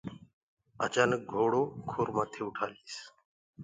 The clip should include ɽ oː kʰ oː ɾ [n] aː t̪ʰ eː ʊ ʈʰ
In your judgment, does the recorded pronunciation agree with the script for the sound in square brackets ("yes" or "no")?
no